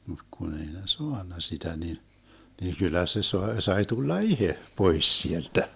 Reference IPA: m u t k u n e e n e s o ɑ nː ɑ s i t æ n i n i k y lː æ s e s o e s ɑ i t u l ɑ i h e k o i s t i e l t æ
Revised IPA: m u t k u n e i n e s o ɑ nː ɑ s i t æ n i n i k y lː æ s e s o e s ɑ i t u lː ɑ i h e p o i s s i e l t æ